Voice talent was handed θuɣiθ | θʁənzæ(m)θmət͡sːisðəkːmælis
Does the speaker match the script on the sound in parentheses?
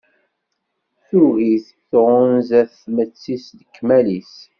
no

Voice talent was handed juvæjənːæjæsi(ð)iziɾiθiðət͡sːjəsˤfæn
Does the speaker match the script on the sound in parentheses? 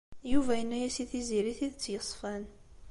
no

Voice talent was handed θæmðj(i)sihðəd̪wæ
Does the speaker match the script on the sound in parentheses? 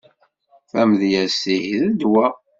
no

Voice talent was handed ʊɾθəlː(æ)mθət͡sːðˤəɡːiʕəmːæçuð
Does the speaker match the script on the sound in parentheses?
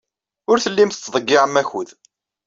no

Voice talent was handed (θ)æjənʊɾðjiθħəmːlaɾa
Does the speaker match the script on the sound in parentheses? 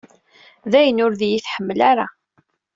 no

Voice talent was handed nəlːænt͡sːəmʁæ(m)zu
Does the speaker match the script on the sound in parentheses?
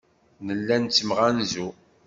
no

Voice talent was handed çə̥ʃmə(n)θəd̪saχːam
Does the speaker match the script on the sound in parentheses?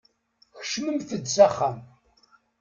no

